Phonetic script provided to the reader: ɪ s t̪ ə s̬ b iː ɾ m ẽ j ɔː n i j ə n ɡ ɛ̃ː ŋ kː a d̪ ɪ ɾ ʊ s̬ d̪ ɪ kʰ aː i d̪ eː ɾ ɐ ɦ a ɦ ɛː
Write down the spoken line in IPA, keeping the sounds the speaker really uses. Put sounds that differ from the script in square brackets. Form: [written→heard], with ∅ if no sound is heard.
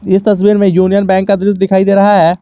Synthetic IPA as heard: ɪ s t̪ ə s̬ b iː ɾ m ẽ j [ɔː→uː] n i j ə n [ɡ→b] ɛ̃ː ŋ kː a d̪ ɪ ɾ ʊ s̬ d̪ ɪ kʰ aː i d̪ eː ɾ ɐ ɦ a ɦ ɛː